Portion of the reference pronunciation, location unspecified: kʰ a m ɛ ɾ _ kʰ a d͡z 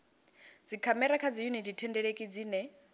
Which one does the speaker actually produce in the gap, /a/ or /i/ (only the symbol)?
a